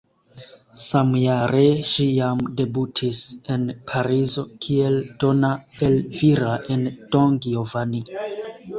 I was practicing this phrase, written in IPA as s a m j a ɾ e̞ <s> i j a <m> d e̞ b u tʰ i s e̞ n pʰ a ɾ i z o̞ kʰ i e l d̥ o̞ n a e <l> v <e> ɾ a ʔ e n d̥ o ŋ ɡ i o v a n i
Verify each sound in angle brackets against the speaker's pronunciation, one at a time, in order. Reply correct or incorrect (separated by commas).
incorrect, correct, correct, incorrect